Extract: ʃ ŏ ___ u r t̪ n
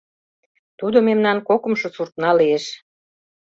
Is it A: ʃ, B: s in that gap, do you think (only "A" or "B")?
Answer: B